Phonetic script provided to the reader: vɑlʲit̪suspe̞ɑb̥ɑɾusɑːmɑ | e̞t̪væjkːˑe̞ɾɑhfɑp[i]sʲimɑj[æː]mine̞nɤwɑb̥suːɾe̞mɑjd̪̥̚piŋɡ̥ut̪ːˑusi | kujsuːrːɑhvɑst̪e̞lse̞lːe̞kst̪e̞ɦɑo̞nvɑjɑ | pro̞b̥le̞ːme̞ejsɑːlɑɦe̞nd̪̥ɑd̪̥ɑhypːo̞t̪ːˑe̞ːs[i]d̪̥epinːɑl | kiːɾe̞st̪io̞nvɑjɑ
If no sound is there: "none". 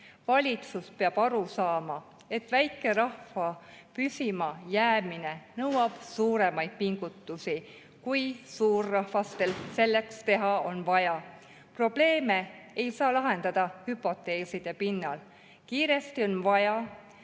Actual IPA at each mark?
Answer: y, æː, i

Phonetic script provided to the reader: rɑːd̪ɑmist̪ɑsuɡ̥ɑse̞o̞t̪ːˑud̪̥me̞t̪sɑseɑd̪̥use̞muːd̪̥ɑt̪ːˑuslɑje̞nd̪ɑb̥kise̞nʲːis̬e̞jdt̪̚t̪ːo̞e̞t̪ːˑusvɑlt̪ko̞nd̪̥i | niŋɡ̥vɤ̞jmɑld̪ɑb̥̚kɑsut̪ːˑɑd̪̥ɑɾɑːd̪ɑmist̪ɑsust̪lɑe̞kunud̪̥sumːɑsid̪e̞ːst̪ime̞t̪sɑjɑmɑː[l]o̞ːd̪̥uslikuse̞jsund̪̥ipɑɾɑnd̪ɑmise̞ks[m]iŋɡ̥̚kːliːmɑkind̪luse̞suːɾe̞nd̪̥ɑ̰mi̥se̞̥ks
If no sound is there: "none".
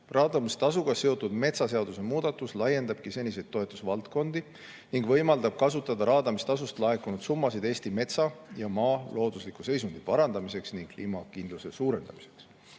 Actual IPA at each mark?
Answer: l, n

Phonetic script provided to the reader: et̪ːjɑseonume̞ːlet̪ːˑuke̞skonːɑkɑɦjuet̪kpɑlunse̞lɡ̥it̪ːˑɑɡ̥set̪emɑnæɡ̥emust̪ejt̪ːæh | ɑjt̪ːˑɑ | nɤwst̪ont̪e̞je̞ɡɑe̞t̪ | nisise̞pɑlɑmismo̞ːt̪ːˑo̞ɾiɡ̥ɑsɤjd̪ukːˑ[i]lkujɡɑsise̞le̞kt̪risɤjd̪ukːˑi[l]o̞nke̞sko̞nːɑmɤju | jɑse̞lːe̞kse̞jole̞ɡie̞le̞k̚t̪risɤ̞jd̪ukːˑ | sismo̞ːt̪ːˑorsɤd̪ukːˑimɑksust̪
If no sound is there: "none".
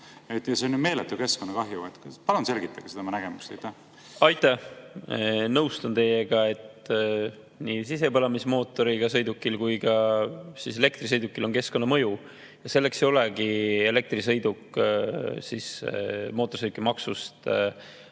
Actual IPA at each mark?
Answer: i, l

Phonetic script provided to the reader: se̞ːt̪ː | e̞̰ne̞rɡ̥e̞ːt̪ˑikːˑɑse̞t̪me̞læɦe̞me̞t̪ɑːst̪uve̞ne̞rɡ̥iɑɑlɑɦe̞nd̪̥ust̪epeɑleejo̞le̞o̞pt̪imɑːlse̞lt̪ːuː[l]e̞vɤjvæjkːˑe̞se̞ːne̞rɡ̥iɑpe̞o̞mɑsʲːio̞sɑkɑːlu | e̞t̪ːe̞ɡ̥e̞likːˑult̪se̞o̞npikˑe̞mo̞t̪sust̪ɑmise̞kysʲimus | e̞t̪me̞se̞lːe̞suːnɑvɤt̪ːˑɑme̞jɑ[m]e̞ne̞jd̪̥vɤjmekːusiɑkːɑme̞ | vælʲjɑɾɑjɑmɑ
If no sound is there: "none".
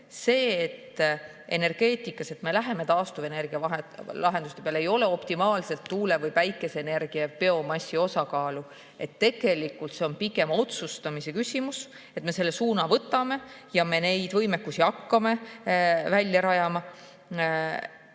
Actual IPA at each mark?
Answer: l, m

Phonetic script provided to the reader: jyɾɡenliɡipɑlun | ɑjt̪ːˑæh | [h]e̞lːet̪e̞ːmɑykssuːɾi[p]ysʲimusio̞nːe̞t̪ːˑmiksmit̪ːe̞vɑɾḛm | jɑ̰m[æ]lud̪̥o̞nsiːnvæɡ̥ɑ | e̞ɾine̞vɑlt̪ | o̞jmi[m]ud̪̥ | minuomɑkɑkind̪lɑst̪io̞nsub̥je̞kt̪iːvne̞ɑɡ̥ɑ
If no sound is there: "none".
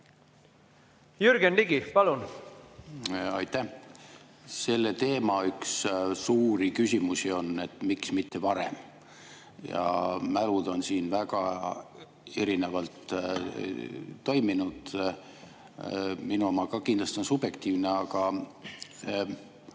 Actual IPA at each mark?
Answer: s, k, æ, n

